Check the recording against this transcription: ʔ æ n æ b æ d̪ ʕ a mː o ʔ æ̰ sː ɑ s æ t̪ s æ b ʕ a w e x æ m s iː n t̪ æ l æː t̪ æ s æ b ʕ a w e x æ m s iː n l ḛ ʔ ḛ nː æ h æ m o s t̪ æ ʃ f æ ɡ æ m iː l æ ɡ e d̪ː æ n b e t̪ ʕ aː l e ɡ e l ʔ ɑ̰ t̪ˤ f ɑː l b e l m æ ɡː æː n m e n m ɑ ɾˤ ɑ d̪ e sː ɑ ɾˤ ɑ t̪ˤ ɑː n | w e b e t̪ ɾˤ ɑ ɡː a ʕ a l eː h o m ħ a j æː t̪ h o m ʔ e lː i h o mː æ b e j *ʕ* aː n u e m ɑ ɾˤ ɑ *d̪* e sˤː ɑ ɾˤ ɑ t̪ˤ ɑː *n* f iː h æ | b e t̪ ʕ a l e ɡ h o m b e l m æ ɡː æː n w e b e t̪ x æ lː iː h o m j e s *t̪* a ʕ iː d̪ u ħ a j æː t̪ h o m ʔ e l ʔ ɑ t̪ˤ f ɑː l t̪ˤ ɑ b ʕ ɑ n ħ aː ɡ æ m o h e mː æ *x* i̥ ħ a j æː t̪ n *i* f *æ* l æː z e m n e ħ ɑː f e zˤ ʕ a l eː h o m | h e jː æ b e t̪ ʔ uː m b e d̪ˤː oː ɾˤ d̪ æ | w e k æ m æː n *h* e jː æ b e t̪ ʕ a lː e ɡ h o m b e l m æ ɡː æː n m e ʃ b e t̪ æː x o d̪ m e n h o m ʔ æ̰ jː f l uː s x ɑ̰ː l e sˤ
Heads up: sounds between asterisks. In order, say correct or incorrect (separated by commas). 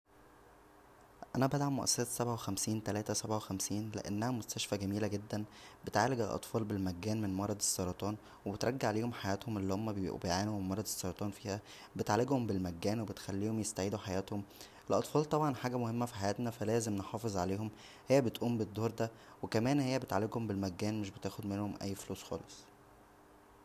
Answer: correct, correct, correct, correct, incorrect, incorrect, correct, correct